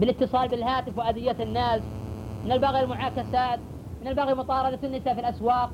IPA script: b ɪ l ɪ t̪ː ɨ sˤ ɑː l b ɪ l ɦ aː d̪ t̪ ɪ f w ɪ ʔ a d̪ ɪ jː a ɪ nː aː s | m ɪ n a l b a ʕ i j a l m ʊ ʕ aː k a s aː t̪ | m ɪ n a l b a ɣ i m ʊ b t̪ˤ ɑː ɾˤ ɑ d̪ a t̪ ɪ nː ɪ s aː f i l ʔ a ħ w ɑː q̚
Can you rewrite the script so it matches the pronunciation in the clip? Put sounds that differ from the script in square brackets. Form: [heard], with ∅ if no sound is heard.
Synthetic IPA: b ɪ l ɪ t̪ː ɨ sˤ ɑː l b ɪ l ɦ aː [∅] t̪ ɪ f w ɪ ʔ a d̪ ɪ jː a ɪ nː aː s | m ɪ n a l b a [ɣ] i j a l m ʊ ʕ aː k a s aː t̪ | m ɪ n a l b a ɣ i m ʊ [∅] t̪ˤ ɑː ɾˤ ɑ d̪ a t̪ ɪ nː ɪ s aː f i l ʔ a [s] w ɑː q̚